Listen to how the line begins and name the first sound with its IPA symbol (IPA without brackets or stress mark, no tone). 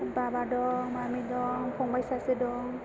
b